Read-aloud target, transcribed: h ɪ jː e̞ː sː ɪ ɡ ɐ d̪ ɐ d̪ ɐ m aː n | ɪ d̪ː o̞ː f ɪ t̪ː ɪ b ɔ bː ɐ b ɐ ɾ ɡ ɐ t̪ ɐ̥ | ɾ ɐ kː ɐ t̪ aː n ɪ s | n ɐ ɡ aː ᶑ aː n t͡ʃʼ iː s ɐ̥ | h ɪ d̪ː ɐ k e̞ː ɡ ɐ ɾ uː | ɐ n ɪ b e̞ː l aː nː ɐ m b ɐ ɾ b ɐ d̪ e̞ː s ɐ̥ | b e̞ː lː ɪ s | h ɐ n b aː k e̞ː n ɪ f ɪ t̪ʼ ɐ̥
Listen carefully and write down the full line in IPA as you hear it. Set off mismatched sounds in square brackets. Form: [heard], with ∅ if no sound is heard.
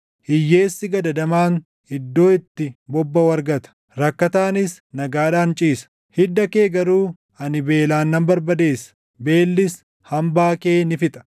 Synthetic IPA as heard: h ɪ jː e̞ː sː ɪ ɡ ɐ d̪ ɐ d̪ ɐ m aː n | ɪ d̪ː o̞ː [∅] ɪ t̪ː ɪ b ɔ bː ɐ [w] ɐ ɾ ɡ ɐ t̪ ɐ̥ | ɾ ɐ kː ɐ t̪ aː n ɪ s | n ɐ ɡ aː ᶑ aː n t͡ʃʼ iː s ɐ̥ | h ɪ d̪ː ɐ k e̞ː ɡ ɐ ɾ uː | ɐ n ɪ b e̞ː l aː nː ɐ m b ɐ ɾ b ɐ d̪ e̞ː s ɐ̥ | b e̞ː lː ɪ s | h ɐ [m] b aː k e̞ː n ɪ f ɪ t̪ʼ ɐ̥